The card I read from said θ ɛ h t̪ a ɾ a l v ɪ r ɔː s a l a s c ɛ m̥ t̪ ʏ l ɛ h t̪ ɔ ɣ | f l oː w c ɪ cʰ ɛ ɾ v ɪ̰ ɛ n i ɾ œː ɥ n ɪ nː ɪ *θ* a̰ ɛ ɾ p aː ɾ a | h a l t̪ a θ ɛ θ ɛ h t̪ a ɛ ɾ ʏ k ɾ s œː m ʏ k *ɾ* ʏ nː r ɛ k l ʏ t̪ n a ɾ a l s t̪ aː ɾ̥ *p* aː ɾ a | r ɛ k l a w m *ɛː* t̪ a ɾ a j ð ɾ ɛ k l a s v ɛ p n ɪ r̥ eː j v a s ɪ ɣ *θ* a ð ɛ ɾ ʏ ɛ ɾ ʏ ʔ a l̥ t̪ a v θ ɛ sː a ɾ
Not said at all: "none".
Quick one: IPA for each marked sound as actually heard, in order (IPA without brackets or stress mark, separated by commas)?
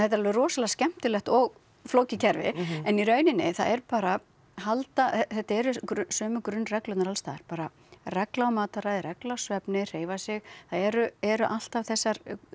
θ, ɾ, p, aː, θ